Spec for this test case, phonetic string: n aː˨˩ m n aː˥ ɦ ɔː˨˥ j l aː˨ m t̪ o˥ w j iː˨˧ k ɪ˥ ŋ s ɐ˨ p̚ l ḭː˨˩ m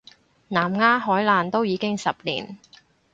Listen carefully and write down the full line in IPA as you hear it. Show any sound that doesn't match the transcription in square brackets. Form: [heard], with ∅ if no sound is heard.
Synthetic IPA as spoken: n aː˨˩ m [ŋ] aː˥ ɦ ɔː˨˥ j l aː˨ [n] t̪ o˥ w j iː˨˧ k ɪ˥ ŋ s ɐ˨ p̚ l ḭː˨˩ [n]